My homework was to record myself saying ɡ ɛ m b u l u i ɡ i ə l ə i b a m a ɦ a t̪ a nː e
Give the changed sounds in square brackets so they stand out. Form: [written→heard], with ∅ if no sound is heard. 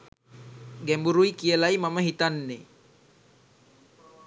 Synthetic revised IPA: ɡ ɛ m b u [l→ɾ] u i [ɡ→k] i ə l [ə→a] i [b→m] a m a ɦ [a→i] t̪ a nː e